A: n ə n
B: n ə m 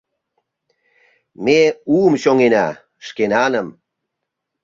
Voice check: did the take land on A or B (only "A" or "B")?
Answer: B